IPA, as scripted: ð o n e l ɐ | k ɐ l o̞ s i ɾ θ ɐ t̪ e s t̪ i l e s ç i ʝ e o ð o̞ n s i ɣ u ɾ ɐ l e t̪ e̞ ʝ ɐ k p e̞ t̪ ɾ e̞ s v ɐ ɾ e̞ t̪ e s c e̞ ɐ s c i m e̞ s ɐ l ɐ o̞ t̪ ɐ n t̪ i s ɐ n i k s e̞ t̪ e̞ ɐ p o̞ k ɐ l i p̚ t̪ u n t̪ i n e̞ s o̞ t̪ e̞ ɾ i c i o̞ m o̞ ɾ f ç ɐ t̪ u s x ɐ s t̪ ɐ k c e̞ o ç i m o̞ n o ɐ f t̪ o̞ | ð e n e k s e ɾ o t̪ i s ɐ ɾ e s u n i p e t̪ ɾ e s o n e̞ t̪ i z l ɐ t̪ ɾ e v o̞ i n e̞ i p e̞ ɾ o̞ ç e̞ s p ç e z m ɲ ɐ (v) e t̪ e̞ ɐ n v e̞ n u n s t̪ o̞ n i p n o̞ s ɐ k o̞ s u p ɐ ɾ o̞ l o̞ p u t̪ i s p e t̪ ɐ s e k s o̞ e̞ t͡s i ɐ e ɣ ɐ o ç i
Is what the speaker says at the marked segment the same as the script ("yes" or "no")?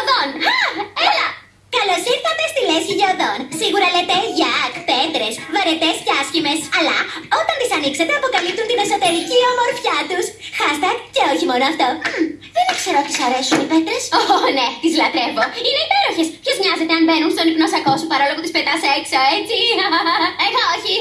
no